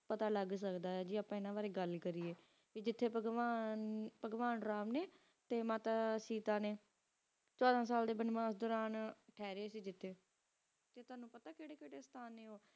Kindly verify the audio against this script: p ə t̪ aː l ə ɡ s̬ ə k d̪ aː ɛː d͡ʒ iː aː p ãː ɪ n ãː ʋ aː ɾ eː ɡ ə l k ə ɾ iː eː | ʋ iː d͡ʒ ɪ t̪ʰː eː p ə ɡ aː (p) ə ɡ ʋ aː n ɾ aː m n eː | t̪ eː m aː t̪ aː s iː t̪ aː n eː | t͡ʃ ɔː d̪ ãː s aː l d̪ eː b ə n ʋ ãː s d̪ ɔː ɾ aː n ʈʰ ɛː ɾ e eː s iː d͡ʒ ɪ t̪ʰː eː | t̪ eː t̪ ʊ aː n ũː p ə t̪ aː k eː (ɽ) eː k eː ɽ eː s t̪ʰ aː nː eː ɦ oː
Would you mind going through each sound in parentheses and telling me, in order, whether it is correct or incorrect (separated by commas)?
correct, correct